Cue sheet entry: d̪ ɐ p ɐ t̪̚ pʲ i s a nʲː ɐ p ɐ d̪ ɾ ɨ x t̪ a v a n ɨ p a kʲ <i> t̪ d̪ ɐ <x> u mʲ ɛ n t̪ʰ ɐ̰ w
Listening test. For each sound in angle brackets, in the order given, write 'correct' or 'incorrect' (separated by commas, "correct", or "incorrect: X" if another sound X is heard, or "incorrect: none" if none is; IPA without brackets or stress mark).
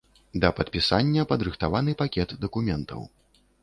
incorrect: ɛ, incorrect: k